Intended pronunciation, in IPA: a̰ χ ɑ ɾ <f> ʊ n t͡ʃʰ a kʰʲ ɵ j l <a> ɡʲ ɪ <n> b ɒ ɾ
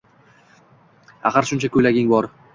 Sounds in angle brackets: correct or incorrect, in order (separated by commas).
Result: incorrect, correct, incorrect